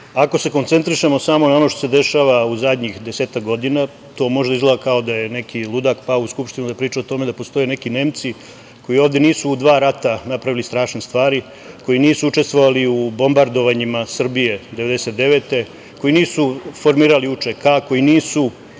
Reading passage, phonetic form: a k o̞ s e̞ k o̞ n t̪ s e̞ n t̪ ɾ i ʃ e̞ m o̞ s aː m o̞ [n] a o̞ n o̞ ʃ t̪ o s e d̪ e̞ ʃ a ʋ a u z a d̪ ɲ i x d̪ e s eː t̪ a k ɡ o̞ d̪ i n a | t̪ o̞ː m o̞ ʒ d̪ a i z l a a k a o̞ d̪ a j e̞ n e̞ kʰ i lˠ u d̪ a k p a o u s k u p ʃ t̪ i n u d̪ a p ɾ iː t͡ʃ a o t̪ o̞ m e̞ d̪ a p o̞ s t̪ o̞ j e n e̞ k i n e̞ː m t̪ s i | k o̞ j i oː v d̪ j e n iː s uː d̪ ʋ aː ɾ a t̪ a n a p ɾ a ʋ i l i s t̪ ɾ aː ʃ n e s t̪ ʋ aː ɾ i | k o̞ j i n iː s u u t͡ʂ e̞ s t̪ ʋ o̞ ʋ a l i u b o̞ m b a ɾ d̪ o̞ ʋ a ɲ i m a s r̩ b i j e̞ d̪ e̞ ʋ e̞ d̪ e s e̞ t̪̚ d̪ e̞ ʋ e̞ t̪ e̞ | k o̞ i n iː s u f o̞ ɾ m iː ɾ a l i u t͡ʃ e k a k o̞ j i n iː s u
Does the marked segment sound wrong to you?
no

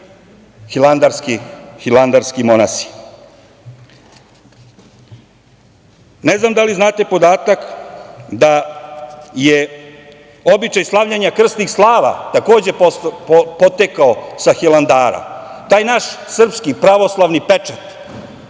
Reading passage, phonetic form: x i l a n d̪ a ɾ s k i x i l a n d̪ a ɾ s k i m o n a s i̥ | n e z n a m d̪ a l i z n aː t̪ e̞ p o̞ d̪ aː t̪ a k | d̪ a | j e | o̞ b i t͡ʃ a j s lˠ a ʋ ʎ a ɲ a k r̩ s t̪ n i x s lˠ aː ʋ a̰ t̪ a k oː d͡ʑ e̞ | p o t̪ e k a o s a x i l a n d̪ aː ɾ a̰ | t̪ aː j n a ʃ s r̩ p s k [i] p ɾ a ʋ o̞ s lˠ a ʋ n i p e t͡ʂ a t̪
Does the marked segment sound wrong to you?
no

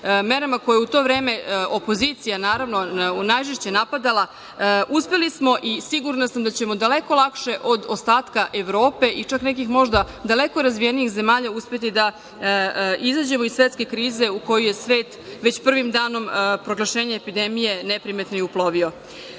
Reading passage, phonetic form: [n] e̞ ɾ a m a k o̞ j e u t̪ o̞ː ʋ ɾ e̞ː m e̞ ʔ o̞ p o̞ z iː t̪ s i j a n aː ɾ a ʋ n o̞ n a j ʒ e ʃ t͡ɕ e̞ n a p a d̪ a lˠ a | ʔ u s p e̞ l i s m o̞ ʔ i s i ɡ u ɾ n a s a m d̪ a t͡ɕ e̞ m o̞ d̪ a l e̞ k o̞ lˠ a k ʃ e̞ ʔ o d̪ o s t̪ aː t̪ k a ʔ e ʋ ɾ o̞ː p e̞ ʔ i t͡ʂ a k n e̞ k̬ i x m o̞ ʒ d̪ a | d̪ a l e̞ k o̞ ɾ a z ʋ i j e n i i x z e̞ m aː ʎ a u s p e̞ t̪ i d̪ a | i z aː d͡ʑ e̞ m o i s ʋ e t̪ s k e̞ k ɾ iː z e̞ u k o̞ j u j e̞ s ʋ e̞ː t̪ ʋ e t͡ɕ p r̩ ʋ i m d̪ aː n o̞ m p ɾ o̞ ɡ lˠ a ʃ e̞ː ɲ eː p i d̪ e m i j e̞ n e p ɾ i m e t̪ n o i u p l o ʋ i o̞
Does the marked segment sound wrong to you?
yes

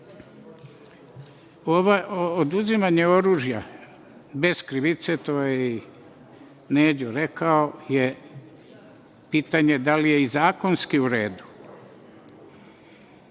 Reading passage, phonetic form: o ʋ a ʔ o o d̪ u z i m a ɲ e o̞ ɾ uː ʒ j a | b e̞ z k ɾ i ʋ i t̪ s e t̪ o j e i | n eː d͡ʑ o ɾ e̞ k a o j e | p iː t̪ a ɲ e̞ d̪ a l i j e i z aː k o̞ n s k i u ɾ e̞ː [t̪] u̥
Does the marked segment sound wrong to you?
yes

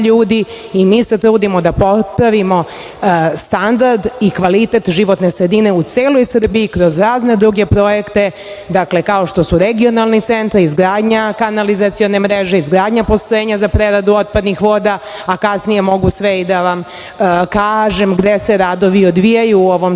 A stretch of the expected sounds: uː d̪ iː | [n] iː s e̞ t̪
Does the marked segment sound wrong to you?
yes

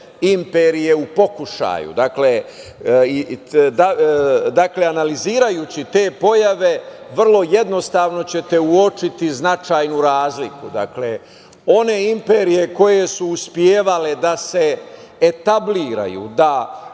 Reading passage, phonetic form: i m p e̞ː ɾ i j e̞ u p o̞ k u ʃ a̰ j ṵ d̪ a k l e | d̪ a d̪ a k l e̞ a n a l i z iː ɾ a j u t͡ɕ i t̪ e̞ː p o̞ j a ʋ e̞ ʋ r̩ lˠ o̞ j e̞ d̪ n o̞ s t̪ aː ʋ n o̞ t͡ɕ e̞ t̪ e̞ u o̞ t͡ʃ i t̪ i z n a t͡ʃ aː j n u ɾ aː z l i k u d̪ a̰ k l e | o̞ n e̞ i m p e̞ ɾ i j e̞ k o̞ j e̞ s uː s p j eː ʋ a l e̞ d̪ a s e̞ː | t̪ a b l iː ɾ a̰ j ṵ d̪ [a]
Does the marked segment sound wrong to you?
no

